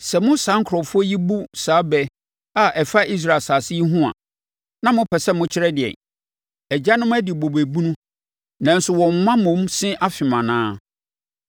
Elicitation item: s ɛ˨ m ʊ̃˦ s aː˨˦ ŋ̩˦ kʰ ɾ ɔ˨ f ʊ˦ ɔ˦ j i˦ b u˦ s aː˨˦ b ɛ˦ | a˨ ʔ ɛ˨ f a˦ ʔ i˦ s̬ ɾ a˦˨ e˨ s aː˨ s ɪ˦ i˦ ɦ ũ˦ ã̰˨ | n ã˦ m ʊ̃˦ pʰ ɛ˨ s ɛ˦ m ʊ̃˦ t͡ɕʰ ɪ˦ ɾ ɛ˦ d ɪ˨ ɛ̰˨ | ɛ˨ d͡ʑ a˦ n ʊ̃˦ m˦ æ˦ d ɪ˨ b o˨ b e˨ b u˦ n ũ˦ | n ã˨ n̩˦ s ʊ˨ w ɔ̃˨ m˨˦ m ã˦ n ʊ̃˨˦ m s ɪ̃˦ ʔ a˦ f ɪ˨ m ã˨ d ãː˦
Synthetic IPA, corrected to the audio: s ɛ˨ m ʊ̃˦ s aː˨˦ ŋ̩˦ kʰ ɾ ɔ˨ f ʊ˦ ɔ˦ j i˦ b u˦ s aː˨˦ b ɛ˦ | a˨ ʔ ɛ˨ f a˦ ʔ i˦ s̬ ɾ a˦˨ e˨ s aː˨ s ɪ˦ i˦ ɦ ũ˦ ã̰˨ | n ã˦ m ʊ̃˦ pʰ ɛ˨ s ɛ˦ m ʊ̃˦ t͡ɕʰ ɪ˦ ɾ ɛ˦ d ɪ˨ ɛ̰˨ | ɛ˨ d͡ʑ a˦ n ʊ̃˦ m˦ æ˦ d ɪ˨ b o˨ b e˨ b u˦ n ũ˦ | n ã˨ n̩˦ s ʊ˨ w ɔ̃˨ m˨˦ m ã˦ m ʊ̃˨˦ m s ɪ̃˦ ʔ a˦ f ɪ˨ m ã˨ n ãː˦